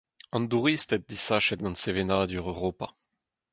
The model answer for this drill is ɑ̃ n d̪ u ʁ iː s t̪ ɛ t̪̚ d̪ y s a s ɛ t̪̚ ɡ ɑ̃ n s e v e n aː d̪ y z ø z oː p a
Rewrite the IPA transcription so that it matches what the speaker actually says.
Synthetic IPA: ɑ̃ n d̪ u ʁ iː s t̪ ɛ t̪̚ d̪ i s a ʃ ɛ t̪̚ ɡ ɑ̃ n s e v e n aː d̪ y ʁ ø ʁ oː p a